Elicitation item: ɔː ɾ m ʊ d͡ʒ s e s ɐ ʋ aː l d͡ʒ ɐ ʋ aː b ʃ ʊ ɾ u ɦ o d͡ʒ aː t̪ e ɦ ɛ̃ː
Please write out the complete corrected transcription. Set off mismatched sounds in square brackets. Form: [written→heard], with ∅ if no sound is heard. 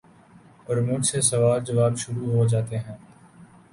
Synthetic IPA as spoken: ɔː ɾ m ʊ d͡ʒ s e s ɐ ʋ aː l d͡ʒ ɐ ʋ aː b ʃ ʊ ɾ u ɦ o d͡ʒ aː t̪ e ɦ ɛ̃ː